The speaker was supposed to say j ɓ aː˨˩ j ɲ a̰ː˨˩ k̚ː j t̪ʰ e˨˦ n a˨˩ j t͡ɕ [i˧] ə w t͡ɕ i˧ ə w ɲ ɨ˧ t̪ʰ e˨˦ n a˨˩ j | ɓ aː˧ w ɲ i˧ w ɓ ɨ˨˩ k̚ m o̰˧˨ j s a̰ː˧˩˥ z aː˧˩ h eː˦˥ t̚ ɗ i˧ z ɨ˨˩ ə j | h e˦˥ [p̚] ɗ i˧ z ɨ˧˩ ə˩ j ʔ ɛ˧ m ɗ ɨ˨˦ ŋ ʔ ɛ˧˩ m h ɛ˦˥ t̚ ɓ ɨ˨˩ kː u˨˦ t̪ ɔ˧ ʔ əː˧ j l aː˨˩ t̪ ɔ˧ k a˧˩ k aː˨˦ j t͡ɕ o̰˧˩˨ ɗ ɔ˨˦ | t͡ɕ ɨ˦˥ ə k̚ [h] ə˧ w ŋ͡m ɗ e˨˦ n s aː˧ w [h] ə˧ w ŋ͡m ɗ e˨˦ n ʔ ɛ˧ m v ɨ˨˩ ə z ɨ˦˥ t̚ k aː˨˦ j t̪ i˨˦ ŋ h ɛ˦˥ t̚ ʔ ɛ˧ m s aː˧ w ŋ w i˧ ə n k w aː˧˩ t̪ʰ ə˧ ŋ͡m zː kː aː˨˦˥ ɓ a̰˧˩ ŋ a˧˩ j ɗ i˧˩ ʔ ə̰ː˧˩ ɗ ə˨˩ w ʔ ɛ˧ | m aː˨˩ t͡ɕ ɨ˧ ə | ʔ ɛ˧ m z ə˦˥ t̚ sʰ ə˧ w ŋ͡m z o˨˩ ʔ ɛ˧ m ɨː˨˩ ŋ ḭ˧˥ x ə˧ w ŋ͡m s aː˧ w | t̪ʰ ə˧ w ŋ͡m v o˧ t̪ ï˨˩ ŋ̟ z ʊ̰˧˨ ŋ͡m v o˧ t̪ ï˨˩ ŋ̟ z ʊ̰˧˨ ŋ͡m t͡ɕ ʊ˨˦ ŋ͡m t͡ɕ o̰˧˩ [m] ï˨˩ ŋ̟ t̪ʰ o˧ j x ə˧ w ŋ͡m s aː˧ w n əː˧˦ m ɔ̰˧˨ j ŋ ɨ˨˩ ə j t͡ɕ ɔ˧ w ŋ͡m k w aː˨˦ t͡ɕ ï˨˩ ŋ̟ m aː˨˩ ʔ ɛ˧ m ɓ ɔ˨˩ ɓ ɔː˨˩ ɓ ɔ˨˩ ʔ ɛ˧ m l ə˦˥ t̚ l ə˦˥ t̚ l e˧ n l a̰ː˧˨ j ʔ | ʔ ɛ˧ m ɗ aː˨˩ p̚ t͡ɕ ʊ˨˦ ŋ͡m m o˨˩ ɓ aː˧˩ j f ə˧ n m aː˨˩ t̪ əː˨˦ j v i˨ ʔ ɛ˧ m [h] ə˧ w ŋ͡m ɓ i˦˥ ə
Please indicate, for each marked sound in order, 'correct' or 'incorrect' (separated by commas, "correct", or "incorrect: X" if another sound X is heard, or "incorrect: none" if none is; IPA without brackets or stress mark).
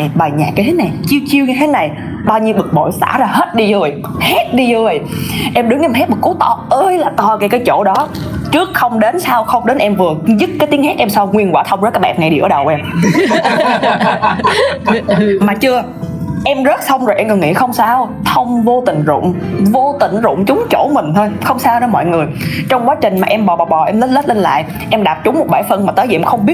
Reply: correct, incorrect: t̚, incorrect: x, incorrect: x, correct, incorrect: x